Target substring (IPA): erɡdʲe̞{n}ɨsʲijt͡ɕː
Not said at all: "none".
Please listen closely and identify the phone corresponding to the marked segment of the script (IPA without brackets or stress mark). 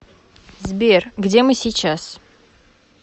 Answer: m